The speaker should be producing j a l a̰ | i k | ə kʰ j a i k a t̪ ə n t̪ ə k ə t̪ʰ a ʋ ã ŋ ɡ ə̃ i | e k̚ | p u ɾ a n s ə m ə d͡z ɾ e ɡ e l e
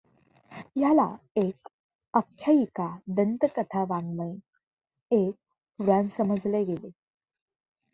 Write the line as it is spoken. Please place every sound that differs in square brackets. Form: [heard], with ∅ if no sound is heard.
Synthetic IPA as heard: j a l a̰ | [e] k | ə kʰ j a i k a [d̪] ə n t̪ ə k ə t̪ʰ a ʋ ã ŋ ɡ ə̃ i | e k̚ | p u ɾ a n s ə m ə d͡z [l] e ɡ e l e